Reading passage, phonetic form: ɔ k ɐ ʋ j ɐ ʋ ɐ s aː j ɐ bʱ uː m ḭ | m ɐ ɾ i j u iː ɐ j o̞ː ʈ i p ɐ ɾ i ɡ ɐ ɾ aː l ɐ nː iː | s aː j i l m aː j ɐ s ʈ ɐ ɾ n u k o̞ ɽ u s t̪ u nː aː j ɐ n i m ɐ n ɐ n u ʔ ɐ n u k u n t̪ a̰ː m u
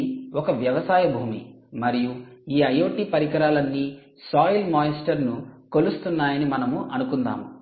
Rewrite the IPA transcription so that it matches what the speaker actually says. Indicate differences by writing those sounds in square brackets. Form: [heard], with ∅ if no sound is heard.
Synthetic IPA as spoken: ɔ k ɐ ʋ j ɐ ʋ ɐ s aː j ɐ bʱ uː m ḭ | m ɐ ɾ i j u iː ɐ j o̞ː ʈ i p ɐ ɾ i [k] ɐ ɾ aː l ɐ nː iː | s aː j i l m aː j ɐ s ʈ ɐ ɾ n u k o̞ [l] u s t̪ u nː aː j ɐ n i m ɐ n ɐ [m] u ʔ ɐ n u k u n [d̪] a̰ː m u